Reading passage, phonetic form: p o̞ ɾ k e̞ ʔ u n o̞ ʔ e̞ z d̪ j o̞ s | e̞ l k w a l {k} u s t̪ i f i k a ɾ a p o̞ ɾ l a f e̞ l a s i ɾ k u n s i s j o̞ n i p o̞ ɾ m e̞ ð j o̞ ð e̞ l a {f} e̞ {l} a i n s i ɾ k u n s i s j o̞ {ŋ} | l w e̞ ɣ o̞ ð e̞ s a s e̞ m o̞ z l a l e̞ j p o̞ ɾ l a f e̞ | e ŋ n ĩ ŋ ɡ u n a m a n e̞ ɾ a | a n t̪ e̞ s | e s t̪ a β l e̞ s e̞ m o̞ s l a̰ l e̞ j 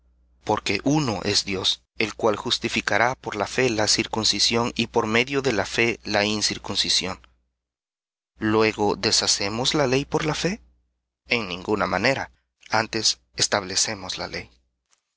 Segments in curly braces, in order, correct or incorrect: incorrect: x, correct, correct, incorrect: n

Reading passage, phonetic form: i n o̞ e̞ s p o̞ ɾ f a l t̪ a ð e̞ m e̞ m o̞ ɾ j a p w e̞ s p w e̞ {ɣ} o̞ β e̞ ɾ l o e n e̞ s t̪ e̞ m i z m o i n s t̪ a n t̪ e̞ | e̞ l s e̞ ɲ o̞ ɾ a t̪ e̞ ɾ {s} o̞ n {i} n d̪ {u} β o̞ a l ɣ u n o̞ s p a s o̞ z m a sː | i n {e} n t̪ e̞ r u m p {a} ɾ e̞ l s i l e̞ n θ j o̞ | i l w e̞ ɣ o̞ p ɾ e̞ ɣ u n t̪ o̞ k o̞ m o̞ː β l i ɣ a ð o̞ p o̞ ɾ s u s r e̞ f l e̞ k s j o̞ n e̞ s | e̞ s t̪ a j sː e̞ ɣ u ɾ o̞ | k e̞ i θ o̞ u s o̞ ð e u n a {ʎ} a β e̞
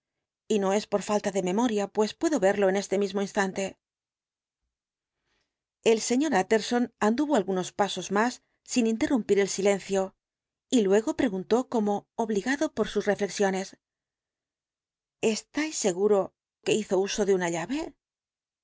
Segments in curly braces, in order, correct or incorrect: incorrect: ð, correct, incorrect: a, correct, incorrect: i, incorrect: i, correct

